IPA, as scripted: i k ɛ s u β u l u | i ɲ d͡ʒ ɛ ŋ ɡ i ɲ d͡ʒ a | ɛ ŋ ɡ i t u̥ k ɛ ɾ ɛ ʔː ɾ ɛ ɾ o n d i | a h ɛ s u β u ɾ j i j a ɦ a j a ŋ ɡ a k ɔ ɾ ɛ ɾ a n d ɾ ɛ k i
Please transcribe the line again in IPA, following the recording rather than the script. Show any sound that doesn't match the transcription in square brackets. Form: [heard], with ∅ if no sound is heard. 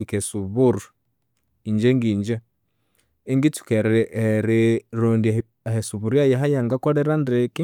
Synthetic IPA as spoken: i k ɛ s u β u [ɾ] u | i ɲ d͡ʒ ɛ ŋ ɡ i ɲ d͡ʒ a | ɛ ŋ ɡ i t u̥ k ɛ ɾ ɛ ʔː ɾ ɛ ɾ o n d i | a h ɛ s u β u ɾ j [a] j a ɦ a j a ŋ ɡ a k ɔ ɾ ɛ ɾ a n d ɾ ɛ k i